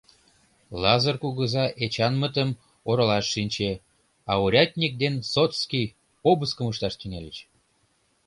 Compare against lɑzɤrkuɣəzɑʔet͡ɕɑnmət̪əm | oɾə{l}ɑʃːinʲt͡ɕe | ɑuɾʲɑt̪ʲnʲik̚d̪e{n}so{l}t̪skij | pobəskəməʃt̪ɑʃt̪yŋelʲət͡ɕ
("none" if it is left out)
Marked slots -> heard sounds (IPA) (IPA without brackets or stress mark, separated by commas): l, n, none